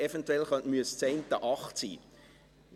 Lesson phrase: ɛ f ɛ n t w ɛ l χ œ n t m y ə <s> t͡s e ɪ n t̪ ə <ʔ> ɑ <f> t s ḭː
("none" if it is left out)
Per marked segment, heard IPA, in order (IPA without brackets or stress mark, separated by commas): s, ʔ, χ